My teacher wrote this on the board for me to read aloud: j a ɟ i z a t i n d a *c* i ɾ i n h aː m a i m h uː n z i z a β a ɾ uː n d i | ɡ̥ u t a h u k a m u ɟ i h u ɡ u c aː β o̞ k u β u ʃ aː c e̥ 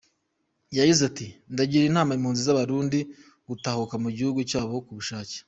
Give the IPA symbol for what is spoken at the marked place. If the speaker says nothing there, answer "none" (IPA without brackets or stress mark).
ɟ